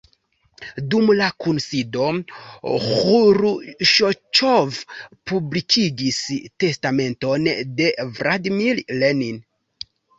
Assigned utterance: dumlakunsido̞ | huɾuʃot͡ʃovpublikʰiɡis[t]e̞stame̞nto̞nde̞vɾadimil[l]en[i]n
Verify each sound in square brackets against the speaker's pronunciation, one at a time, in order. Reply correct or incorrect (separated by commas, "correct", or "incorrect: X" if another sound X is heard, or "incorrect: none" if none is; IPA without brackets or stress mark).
correct, correct, correct